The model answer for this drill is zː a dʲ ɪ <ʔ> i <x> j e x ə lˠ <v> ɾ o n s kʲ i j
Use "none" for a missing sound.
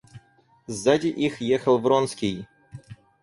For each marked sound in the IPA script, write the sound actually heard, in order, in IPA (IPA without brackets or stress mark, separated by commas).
ʔ, x, v